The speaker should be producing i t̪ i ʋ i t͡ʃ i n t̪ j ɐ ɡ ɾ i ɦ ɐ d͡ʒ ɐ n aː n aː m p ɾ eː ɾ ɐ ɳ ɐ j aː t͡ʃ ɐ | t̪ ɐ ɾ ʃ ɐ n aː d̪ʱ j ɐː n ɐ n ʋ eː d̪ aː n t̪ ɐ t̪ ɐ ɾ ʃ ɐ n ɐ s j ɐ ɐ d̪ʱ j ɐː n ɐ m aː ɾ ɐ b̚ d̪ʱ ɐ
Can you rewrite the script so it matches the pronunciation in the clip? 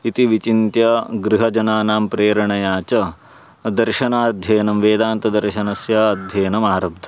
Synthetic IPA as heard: i t̪ i ʋ i t͡ʃ i n t̪ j ɐ ɡ ɾ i ɦ ɐ d͡ʒ ɐ n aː n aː m p ɾ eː ɾ ɐ ɳ ɐ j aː t͡ʃ ɐ | d̪ ɐ ɾ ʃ ɐ n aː d̪ʱ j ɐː n ɐ m ʋ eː d̪ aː n t̪ ɐ d̪ ɐ ɾ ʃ ɐ n ɐ s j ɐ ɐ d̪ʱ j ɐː n ɐ m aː ɾ ɐ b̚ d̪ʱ ɐ